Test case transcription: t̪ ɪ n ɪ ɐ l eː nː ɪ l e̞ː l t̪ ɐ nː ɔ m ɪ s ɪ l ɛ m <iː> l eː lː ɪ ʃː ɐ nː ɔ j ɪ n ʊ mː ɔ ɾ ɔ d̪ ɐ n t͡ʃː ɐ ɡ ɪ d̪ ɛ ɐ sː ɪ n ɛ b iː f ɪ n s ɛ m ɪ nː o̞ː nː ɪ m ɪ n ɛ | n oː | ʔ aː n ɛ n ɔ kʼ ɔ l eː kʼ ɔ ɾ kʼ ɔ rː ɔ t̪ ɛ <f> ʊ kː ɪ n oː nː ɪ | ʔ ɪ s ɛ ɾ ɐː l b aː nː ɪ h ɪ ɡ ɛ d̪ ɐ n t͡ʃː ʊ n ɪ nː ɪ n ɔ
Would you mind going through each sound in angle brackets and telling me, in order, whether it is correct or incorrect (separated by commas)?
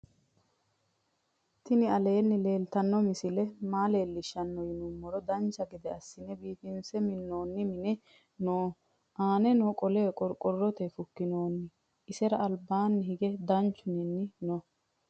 incorrect, correct